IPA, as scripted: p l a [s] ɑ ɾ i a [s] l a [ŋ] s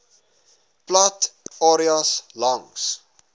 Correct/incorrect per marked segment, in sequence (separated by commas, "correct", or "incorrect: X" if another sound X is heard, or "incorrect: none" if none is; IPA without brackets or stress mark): incorrect: t, correct, correct